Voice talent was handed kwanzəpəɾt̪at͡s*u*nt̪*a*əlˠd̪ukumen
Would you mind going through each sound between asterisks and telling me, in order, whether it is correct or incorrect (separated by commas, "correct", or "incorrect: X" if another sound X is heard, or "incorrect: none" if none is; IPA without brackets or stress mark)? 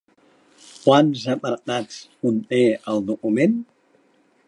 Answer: correct, incorrect: e